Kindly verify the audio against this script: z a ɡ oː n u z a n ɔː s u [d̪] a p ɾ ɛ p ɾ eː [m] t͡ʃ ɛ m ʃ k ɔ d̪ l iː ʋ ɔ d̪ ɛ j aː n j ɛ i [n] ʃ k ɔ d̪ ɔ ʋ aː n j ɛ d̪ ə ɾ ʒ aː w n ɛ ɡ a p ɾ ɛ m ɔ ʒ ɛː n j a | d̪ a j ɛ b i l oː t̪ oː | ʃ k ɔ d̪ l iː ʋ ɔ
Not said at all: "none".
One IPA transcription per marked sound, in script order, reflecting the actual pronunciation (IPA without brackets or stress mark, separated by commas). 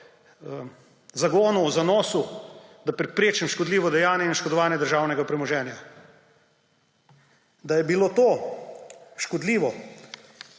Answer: d̪, none, n